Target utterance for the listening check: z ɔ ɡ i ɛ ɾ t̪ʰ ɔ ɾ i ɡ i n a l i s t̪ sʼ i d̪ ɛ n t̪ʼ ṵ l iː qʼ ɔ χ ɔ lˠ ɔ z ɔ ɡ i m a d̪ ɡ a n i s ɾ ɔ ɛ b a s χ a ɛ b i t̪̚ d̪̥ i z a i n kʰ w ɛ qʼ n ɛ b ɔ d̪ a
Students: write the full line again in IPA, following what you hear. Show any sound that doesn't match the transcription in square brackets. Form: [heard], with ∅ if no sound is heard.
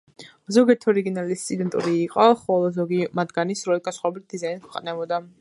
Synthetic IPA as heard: z ɔ ɡ i ɛ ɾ t̪ʰ ɔ ɾ i ɡ i n a l i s t̪ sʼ i d̪ ɛ n t̪ʼ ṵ [ɾ] iː qʼ ɔ χ ɔ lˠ ɔ z ɔ ɡ i m a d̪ ɡ a n i s ɾ ɔ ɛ [ɡ] a s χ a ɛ b i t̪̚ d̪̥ i z a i n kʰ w ɛ qʼ n ɛ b ɔ d̪ a